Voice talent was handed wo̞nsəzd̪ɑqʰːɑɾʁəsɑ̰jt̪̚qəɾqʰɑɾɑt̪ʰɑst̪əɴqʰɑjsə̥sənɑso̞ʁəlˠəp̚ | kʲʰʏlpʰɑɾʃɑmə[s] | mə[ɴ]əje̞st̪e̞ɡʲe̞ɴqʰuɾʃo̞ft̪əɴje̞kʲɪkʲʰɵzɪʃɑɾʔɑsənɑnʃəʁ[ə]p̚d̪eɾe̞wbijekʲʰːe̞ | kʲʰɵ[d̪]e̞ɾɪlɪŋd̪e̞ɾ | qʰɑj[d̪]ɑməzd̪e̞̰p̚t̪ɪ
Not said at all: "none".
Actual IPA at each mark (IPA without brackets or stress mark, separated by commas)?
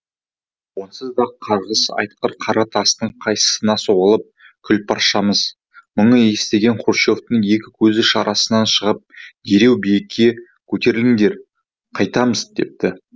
z, ɴ, ə, t̪, t̪